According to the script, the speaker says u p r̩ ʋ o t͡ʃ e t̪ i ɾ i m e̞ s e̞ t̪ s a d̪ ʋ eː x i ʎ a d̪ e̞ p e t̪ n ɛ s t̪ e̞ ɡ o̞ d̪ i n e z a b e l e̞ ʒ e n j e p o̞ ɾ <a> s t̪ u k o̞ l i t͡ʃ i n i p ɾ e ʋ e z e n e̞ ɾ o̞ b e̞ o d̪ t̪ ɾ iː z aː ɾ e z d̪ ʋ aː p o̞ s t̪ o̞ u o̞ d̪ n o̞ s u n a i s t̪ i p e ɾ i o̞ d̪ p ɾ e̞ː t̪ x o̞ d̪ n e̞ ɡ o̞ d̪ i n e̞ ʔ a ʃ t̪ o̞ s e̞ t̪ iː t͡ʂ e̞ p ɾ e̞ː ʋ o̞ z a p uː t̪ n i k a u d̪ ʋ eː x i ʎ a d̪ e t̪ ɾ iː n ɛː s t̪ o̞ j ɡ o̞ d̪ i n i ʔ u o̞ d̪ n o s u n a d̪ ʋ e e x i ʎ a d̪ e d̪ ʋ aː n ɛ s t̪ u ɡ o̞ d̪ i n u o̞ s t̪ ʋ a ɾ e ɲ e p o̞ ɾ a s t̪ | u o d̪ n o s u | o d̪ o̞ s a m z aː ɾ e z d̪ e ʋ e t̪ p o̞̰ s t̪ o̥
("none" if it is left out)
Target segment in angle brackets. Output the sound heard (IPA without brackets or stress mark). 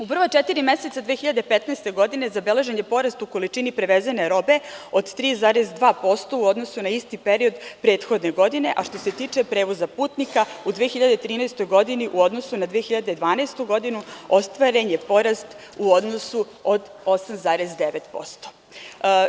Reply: a